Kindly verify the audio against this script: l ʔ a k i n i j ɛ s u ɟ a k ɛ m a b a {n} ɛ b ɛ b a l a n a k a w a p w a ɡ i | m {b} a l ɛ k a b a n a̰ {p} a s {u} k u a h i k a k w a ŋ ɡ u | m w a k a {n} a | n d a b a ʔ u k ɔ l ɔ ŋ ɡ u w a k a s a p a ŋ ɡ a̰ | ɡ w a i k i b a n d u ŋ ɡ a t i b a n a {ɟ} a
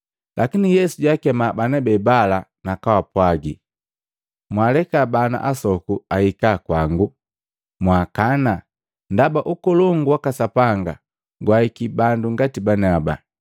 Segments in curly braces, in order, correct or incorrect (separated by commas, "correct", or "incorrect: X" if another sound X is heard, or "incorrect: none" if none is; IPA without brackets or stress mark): correct, incorrect: w, incorrect: ʔ, incorrect: ɔ, correct, incorrect: b